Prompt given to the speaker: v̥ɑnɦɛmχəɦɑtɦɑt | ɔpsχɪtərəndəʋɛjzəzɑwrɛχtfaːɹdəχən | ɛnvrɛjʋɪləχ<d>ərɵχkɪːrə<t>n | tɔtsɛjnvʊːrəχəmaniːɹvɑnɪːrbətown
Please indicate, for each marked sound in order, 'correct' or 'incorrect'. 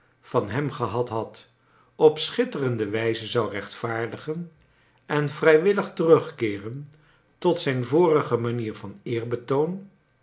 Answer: incorrect, incorrect

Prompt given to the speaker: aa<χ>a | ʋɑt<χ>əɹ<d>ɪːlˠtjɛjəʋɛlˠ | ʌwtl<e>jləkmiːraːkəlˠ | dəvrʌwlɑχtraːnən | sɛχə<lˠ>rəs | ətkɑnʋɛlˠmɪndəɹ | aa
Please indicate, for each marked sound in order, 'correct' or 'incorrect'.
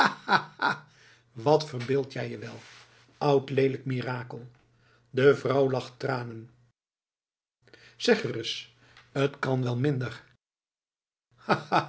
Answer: incorrect, incorrect, incorrect, correct, incorrect

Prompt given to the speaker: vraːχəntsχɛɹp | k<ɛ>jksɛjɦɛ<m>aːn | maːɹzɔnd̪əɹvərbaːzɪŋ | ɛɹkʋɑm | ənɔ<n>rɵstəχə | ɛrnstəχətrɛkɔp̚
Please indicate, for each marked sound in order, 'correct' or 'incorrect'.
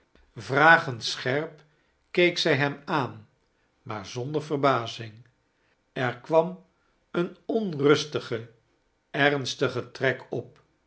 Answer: incorrect, correct, correct

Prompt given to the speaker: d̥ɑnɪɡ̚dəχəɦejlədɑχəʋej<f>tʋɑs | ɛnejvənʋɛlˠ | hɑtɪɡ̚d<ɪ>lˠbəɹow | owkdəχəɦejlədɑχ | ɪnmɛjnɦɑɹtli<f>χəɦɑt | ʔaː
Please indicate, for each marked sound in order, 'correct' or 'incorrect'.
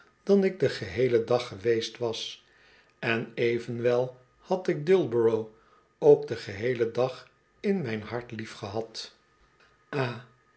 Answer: incorrect, correct, correct

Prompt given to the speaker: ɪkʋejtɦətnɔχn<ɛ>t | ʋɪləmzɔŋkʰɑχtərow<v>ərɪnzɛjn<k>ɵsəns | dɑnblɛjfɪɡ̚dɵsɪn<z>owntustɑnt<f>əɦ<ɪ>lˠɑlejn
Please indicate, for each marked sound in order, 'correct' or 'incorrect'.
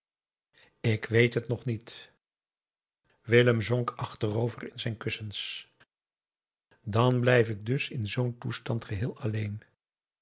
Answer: incorrect, correct, correct, correct, incorrect, incorrect

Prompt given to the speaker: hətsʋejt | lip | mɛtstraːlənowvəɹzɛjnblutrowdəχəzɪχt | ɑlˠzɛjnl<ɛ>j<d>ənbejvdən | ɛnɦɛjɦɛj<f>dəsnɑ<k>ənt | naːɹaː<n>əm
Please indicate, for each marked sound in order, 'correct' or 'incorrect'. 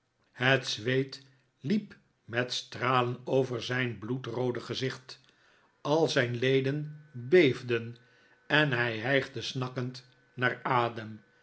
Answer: incorrect, correct, incorrect, correct, incorrect

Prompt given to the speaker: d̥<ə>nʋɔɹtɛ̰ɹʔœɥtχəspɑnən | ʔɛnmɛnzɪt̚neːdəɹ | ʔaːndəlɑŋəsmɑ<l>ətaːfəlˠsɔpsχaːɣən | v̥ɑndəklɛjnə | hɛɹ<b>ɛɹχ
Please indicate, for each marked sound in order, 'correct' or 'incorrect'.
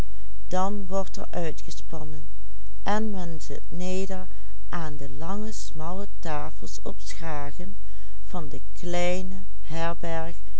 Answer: incorrect, correct, correct

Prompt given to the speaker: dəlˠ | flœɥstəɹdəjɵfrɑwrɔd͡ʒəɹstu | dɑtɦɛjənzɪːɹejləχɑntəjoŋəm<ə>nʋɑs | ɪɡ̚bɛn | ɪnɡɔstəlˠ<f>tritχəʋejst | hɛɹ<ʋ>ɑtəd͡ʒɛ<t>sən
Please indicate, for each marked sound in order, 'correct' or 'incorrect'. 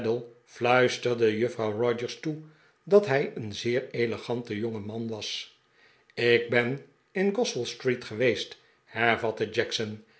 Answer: incorrect, incorrect, incorrect, incorrect

